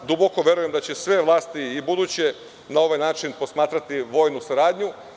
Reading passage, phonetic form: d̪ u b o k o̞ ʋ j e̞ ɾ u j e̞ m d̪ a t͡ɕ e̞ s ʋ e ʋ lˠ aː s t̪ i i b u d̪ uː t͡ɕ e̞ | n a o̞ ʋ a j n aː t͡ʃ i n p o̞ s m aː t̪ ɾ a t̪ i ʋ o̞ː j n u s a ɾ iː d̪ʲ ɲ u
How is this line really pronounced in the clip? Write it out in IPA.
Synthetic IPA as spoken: d̪ u b o k o̞ ʋ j e̞ ɾ u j e̞ m d̪ a t͡ɕ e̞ s ʋ e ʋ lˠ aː s t̪ i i b u d̪ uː t͡ɕ e̞ | n a o̞ ʋ a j n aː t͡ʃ i n p o̞ s m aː t̪ ɾ a t̪ i ʋ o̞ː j n u s a ɾ aː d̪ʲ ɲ u